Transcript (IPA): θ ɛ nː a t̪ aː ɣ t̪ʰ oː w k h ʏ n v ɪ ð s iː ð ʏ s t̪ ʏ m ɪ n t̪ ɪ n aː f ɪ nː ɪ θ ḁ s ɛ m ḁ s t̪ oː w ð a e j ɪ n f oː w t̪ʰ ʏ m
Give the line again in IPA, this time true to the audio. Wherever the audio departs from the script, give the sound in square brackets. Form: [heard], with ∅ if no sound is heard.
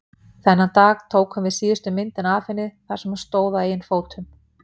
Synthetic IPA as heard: θ ɛ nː a t̪ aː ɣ t̪ʰ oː w k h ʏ [m] v ɪ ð s iː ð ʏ s t̪ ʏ m ɪ n t̪ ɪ n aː f ɪ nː ɪ θ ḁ s ɛ m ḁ s t̪ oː w ð a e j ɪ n f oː w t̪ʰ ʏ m